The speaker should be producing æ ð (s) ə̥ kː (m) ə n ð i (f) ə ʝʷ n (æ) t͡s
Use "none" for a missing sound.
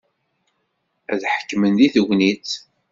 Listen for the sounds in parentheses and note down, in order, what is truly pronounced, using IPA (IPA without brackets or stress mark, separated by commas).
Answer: ħ, m, θ, i